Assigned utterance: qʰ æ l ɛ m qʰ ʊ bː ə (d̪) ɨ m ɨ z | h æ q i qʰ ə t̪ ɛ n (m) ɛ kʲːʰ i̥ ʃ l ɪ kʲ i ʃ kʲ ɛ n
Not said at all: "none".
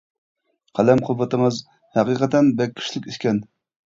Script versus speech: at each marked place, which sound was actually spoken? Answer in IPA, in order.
t̪, b

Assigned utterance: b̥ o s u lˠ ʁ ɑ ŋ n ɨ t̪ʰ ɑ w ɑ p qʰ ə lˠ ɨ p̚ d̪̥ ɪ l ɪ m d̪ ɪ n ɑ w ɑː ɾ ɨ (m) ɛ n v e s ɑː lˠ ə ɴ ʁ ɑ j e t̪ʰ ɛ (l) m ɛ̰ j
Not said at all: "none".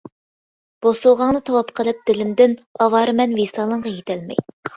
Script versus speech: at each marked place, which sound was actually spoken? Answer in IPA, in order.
m, l

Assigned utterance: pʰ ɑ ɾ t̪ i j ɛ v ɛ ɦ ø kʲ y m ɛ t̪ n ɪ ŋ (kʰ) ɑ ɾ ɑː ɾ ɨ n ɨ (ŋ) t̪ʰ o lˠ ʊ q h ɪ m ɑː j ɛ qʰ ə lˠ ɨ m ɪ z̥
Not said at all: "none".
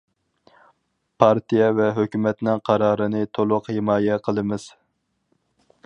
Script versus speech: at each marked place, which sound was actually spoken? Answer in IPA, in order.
qʰ, none

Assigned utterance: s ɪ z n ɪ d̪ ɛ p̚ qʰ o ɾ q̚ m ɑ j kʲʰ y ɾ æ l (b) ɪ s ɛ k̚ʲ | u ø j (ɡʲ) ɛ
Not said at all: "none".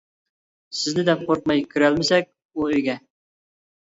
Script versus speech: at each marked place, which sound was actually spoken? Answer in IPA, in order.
m, ɡʲ

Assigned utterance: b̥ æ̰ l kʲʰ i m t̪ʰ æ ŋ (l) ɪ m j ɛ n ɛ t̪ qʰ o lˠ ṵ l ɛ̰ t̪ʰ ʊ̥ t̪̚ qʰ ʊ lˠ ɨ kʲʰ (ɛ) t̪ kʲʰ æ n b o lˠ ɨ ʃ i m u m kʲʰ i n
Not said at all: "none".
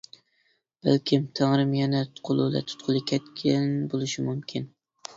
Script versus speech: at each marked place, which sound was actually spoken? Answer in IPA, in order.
ɾ, ɛ

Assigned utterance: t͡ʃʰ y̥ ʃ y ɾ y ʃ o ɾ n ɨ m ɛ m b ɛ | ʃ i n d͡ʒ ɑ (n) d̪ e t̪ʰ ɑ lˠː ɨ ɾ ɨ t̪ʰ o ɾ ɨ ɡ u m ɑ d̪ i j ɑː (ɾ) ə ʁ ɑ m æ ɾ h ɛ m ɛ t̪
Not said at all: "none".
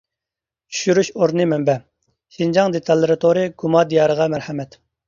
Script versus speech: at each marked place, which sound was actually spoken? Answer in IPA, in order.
ŋ, ɾ

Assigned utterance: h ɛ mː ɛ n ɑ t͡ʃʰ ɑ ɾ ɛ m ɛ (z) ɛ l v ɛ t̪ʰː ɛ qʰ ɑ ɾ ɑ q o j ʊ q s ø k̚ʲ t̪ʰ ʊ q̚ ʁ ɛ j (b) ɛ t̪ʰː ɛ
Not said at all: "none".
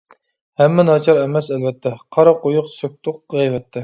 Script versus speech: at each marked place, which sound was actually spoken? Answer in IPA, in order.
s, v

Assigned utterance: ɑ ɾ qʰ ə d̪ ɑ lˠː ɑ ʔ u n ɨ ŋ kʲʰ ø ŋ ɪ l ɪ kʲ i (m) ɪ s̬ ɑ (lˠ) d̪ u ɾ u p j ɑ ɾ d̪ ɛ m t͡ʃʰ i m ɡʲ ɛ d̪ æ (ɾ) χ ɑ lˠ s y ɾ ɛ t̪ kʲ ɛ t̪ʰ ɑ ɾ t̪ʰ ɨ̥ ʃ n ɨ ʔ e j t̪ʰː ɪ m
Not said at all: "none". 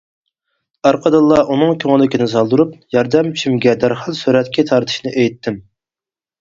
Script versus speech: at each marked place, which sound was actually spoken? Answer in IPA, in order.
n, lˠ, ɾ

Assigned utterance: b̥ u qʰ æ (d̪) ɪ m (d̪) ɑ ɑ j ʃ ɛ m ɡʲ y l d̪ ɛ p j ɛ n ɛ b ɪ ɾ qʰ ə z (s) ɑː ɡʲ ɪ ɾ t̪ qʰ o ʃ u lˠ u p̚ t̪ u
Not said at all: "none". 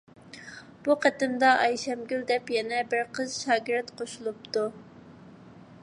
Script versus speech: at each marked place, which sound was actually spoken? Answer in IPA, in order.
t̪, d̪, ʃ

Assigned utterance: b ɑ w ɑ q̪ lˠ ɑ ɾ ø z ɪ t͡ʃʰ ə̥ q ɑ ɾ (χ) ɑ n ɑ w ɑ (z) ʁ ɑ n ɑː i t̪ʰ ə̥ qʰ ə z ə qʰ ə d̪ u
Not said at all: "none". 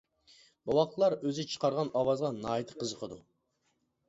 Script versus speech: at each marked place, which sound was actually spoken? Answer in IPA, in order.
ʁ, z

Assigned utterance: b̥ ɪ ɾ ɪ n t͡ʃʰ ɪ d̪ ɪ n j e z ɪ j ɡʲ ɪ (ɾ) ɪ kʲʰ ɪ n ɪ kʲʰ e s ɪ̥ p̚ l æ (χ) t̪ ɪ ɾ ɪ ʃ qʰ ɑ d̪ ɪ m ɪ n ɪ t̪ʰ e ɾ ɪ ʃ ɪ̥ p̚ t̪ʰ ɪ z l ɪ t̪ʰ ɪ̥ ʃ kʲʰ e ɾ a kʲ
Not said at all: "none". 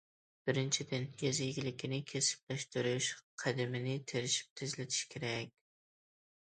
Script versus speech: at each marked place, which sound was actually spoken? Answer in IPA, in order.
l, ʃ

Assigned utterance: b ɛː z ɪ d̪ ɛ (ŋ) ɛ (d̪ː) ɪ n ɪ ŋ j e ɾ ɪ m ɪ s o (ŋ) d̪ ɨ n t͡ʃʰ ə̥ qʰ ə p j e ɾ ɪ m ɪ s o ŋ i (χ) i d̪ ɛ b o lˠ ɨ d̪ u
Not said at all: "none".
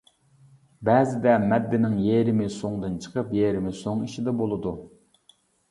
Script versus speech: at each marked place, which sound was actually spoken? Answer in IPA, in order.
m, d̪ː, ŋ, ʃ

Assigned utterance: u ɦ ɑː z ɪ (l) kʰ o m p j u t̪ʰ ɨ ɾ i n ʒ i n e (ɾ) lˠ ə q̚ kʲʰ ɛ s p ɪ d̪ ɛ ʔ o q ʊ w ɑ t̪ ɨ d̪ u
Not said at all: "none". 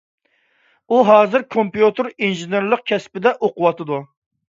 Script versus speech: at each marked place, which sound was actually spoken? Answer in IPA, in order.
ɾ, ɾ

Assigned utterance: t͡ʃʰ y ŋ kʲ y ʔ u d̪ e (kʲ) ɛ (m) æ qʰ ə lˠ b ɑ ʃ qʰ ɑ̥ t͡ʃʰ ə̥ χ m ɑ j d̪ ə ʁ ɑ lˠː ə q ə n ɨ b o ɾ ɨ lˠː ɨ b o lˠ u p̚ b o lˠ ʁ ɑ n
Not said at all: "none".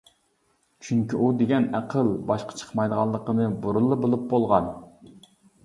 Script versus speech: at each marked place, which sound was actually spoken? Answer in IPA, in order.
ɡʲ, n

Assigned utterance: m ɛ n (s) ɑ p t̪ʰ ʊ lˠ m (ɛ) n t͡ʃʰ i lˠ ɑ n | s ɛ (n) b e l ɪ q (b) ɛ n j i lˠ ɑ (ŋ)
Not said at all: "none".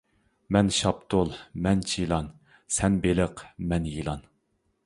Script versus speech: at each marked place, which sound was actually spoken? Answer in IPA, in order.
ʃ, ɛ, n, m, n

